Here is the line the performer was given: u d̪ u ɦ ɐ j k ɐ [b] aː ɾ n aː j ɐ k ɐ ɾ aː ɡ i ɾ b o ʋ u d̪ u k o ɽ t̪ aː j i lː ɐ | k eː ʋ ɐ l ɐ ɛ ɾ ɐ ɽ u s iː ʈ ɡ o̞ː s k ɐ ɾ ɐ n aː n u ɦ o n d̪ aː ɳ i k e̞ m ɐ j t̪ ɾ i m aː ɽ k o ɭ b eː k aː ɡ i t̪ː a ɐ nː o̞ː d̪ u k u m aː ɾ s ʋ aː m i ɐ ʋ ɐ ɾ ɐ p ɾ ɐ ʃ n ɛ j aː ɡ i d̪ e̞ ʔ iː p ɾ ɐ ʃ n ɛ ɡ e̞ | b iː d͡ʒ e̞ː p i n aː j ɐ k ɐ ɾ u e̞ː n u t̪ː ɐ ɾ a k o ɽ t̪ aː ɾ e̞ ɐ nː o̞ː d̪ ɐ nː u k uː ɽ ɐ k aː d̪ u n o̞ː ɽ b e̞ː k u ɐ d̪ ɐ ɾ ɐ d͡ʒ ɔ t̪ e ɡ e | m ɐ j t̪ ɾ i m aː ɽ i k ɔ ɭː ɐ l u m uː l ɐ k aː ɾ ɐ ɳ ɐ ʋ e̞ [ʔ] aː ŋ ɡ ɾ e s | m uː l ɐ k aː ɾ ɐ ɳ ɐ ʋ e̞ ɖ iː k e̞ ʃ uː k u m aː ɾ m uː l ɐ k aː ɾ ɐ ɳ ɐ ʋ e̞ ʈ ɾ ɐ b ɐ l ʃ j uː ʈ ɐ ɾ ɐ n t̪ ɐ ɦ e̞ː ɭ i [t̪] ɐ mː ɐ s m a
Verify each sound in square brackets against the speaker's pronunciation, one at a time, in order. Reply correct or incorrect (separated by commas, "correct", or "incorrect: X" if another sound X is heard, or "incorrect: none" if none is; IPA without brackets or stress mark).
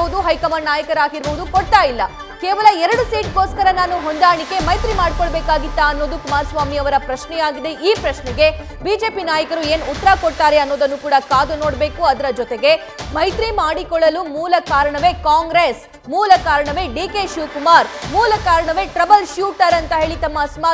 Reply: incorrect: m, incorrect: k, correct